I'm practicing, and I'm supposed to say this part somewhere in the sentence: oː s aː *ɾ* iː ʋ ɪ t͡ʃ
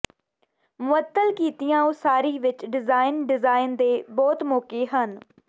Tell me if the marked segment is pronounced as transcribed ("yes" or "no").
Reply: yes